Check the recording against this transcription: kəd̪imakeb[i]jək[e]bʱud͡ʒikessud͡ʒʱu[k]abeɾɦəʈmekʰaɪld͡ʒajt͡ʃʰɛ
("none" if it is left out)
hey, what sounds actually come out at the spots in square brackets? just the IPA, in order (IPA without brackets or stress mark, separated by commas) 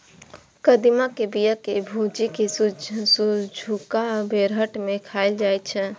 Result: i, e, k